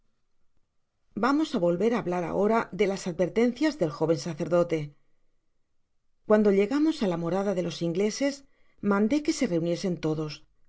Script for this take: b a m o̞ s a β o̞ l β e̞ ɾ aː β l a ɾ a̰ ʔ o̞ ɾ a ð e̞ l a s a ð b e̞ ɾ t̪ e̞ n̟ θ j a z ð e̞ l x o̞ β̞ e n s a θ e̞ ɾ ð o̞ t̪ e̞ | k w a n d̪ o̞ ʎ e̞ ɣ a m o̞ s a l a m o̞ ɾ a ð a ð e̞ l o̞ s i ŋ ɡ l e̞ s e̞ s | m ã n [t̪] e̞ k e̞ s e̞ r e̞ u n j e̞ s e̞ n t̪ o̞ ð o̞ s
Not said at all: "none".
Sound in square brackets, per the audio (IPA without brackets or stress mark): d̪